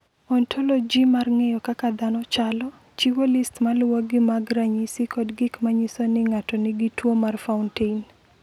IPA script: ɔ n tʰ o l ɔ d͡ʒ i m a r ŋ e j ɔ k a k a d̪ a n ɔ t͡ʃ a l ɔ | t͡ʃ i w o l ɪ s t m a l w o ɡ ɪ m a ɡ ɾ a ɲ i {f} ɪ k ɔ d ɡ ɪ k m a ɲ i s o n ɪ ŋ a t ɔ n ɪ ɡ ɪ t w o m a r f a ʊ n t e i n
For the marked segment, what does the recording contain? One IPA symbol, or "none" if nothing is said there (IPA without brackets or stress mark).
s